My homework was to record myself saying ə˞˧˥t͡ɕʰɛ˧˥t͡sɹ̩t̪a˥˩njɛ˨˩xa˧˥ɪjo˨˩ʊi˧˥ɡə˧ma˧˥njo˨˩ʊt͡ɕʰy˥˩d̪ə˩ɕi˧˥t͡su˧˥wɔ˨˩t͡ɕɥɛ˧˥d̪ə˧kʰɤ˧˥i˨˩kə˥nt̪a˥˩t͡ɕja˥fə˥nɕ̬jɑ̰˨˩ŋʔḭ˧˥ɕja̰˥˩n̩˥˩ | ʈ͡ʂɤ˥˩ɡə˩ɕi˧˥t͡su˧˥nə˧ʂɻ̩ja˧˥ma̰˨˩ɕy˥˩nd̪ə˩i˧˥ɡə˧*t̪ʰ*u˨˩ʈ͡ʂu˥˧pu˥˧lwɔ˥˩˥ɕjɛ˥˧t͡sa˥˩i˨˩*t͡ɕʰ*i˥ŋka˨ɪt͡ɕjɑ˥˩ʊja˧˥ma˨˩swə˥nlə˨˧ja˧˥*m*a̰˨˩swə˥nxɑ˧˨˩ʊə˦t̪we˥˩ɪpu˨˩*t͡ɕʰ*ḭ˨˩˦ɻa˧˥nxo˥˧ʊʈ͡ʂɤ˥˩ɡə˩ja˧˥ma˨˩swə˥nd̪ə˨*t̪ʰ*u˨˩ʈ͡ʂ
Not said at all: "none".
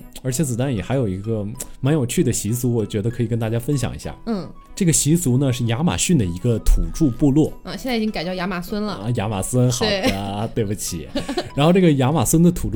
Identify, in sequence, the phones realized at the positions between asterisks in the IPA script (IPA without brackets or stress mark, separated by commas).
t̪ʰ, t͡ɕ, m, t͡ɕʰ, t̪ʰ